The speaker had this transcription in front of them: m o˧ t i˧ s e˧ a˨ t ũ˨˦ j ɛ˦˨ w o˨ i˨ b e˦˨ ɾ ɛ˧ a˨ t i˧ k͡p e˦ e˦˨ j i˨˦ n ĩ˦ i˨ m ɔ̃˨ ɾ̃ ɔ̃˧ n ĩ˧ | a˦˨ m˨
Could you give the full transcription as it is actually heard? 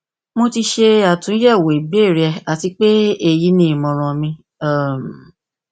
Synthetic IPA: m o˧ t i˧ ʃ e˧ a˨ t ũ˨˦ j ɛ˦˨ w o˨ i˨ b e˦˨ ɾ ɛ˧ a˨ t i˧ k͡p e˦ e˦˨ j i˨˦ n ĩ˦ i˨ m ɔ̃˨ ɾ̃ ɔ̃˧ m ĩ˧ | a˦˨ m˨